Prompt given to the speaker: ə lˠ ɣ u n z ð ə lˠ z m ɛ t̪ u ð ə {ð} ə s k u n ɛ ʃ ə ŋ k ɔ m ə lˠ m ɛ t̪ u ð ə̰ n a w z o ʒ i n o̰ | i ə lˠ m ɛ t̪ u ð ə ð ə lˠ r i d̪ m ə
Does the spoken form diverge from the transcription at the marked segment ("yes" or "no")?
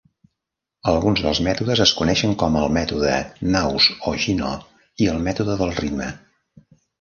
yes